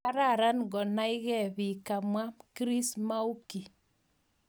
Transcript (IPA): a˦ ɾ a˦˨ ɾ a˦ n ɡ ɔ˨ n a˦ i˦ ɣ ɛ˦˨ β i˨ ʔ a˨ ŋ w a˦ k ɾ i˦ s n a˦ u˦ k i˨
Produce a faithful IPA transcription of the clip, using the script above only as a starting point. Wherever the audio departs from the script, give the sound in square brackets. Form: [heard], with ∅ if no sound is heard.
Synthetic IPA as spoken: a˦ ɾ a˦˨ ɾ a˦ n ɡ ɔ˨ n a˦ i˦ ɣ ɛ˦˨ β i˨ [k] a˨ [m] w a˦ k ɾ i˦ s [m] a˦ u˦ k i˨